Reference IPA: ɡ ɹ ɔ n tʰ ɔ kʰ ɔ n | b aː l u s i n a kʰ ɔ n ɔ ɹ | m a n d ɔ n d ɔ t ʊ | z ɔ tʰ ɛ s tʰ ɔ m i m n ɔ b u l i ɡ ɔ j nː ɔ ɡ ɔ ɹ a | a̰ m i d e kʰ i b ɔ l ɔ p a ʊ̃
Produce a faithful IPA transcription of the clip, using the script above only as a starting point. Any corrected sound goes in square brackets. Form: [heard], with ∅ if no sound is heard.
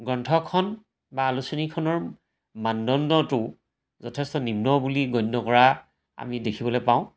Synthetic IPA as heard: ɡ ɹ ɔ n tʰ ɔ kʰ ɔ n | b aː l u s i n [i] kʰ ɔ n ɔ ɹ | m a n d ɔ n d ɔ t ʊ | z ɔ tʰ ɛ s [t] ɔ [n] i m n ɔ b u l i ɡ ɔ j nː ɔ [k] ɔ ɹ a | a̰ m i d e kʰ i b ɔ l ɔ p a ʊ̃